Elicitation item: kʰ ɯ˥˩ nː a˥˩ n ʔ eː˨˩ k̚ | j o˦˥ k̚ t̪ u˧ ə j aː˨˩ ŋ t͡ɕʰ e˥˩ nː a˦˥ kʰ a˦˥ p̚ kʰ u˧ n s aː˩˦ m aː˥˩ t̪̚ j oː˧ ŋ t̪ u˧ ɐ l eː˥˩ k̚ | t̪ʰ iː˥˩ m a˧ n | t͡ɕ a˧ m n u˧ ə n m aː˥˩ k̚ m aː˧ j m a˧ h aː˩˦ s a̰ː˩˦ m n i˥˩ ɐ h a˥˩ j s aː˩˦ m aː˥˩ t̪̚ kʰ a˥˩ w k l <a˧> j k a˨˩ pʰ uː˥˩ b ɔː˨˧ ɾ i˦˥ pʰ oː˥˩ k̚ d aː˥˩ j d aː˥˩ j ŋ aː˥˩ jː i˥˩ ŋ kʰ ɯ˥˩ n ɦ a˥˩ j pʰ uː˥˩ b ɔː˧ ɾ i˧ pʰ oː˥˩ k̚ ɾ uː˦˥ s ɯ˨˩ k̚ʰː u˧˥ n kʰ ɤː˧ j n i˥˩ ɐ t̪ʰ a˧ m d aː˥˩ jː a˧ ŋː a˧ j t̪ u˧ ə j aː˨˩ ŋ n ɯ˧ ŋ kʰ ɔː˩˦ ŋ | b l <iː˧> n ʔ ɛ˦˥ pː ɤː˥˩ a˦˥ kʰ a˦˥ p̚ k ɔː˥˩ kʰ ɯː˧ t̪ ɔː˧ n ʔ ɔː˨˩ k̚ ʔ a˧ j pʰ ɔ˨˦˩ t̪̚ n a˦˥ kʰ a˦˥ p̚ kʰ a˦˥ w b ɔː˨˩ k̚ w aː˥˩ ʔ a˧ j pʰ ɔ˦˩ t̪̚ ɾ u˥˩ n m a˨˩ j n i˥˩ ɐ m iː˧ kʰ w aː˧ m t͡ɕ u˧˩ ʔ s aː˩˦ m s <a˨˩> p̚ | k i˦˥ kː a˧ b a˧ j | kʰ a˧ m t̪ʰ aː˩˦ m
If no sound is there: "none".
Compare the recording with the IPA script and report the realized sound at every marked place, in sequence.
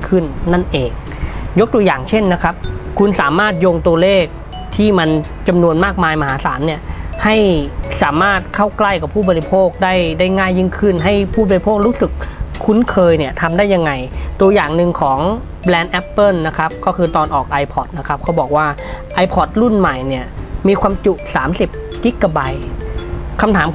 a˥˩, ɛː˧, i˨˩

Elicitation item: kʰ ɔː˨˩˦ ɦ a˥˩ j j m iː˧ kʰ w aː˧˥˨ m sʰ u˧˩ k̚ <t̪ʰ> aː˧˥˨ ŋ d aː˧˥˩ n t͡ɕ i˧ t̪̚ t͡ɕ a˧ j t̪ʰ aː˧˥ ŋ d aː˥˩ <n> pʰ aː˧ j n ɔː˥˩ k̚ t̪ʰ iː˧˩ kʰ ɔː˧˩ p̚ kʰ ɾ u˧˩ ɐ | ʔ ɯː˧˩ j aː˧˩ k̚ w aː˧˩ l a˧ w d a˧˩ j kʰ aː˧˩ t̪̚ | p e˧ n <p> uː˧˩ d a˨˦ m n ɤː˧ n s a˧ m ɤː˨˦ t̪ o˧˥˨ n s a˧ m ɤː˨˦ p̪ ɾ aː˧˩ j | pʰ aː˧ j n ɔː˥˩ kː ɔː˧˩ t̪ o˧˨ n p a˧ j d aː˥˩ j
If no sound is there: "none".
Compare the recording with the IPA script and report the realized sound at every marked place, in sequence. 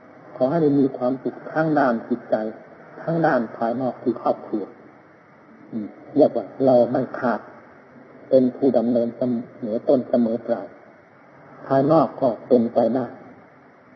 t̪ʰ, n, pʰ

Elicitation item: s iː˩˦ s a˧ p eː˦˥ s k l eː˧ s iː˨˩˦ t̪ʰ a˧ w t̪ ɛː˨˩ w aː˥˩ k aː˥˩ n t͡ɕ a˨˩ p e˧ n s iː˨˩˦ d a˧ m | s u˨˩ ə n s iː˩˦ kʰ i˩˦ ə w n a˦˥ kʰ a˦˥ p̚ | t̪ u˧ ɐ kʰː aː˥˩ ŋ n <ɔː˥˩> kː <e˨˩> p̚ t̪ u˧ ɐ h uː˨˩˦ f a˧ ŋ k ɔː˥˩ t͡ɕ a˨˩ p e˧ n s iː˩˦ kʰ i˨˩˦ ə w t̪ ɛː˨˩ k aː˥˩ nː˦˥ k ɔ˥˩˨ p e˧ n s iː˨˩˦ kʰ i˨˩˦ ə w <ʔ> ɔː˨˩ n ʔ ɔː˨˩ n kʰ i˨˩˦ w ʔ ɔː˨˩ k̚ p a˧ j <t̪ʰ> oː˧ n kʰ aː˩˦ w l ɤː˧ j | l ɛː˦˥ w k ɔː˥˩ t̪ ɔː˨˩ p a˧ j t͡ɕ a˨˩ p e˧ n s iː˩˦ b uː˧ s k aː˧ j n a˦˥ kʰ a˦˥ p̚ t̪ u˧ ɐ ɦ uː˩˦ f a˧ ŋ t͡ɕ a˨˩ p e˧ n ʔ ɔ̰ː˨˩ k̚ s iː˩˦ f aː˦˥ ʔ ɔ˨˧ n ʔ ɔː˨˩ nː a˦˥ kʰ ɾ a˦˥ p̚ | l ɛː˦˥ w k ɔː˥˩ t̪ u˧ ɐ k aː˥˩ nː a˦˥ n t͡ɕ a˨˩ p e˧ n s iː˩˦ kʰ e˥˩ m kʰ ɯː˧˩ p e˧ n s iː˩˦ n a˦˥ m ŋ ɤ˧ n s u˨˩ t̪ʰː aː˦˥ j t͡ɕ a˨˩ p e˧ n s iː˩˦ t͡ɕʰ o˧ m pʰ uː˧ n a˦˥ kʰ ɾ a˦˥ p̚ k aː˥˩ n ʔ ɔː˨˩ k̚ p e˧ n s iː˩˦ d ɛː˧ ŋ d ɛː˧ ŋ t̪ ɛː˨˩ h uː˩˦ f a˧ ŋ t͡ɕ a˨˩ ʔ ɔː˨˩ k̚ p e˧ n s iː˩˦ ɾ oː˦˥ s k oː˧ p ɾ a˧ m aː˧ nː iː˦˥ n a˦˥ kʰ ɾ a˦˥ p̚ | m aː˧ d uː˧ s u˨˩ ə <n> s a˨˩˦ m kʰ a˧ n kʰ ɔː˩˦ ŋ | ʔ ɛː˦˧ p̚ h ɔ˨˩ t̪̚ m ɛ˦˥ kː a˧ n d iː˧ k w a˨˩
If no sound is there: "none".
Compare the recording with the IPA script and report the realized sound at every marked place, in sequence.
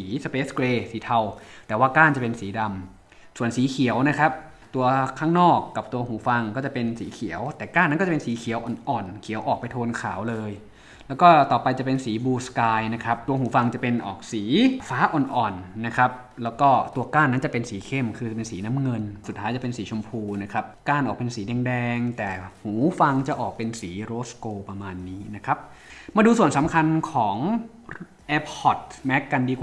ɔː˥˩, a˨˩, ʔ, t̪ʰ, n

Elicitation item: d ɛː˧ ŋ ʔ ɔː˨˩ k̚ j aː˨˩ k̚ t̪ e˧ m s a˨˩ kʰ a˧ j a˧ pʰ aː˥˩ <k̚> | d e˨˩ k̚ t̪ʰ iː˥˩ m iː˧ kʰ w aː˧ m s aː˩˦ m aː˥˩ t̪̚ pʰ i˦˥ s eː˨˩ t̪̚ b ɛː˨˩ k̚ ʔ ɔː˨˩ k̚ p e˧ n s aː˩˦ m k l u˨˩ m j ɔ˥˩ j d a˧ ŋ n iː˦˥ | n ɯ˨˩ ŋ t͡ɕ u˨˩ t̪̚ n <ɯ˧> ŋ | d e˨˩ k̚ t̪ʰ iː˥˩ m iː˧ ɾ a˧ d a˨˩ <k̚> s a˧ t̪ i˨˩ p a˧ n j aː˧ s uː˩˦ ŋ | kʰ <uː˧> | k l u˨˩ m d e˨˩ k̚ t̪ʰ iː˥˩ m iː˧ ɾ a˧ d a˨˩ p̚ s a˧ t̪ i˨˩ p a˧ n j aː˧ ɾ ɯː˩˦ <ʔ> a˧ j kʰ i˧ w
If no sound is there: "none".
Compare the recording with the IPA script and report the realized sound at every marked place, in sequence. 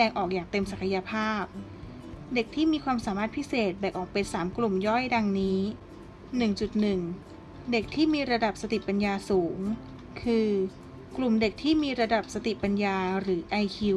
p̚, ɯ˨˩, p̚, ɯː˧, ʔ

